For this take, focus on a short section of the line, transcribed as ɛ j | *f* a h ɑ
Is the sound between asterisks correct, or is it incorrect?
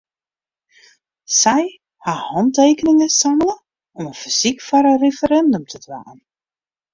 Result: incorrect